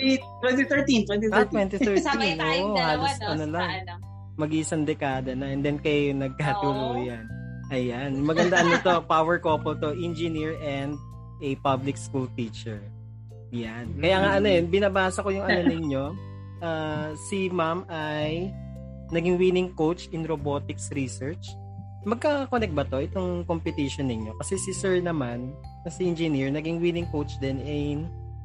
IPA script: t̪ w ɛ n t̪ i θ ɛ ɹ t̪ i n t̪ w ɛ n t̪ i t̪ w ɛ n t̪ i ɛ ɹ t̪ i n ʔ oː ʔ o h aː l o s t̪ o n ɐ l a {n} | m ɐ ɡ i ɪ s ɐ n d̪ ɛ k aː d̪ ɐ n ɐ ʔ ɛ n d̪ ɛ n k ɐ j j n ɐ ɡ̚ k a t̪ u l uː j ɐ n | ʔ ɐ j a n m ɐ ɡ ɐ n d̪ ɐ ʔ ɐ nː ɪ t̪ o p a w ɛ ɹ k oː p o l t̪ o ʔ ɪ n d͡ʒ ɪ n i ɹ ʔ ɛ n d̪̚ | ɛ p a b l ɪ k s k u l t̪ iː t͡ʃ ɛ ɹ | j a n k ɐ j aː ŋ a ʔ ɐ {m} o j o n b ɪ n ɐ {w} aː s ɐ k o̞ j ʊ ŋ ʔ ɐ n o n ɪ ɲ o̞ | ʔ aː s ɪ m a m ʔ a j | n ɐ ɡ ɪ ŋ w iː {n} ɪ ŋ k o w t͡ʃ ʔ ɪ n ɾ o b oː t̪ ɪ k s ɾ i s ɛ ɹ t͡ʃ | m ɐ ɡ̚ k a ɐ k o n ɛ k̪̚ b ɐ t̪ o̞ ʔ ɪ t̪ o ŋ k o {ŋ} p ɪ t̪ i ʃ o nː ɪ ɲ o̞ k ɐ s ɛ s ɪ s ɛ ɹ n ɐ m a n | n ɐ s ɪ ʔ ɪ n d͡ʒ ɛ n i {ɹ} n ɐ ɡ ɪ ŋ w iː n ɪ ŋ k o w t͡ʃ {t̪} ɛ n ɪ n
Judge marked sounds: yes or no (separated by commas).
no, no, no, yes, no, yes, no